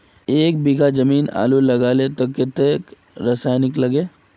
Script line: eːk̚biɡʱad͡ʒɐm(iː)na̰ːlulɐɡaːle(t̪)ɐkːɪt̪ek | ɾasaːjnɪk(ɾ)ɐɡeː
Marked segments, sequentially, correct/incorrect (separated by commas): correct, correct, incorrect